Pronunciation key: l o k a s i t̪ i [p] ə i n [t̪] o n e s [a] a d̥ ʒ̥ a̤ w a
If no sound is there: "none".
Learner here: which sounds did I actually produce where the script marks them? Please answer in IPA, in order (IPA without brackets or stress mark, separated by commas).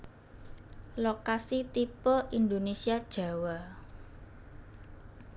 p, d̪, i